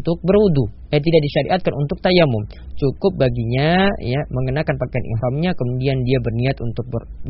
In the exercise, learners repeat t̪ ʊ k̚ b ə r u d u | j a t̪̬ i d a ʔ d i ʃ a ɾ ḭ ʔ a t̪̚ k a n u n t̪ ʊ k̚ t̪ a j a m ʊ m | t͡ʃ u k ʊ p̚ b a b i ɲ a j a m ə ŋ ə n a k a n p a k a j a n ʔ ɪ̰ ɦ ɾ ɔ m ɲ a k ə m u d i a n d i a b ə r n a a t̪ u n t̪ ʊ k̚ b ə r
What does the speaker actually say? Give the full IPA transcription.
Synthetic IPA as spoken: t̪ ʊ k̚ b ə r u d u | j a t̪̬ i d a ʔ d i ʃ a ɾ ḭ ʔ a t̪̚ k a n u n t̪ ʊ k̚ t̪ a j a m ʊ m | t͡ʃ u k ʊ p̚ b a ɡ i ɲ a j a m ə ŋ ə n a k a n p a k a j a n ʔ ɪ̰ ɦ ɾ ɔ m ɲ a k ə m u d i a n d i a b ə r n i a t̪ u n t̪ ʊ k̚ b ə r